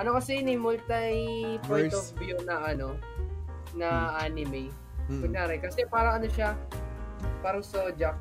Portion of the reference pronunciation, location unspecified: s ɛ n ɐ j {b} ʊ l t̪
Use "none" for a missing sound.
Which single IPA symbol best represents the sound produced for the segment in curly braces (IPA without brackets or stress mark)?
m